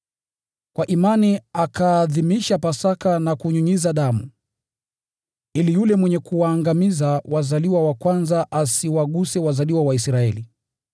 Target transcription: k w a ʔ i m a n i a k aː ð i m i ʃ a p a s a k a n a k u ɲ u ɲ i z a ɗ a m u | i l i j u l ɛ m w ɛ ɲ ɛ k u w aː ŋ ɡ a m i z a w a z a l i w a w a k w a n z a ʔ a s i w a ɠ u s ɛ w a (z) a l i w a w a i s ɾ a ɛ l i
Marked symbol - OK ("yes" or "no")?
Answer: yes